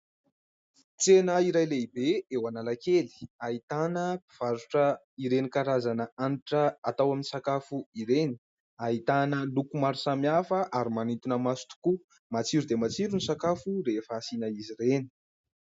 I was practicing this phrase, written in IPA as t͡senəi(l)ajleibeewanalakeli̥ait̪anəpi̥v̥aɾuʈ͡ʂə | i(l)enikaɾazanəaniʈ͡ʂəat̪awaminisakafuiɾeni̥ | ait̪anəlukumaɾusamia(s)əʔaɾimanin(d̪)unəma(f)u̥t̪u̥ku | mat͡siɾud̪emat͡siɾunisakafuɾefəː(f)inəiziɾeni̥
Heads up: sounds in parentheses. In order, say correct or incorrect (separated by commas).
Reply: incorrect, incorrect, incorrect, incorrect, incorrect, incorrect